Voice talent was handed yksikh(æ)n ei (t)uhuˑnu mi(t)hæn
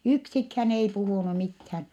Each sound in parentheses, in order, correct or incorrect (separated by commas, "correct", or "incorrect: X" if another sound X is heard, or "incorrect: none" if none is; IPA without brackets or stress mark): correct, incorrect: p, correct